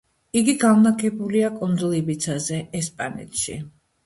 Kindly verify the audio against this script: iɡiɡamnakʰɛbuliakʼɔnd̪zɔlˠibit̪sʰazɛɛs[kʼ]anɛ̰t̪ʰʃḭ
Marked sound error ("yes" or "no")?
yes